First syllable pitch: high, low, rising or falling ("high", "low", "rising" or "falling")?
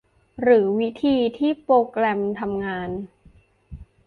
rising